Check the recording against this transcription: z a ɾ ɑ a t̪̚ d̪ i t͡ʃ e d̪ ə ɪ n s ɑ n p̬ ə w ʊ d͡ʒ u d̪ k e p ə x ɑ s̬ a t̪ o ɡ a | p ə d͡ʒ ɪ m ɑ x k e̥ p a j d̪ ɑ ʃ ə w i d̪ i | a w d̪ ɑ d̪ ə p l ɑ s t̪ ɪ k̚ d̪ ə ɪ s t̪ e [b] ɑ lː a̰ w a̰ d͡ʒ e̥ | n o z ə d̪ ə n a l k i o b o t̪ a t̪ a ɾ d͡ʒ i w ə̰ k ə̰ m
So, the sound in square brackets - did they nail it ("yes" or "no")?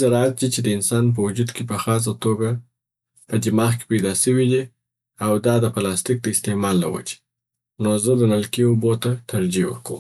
no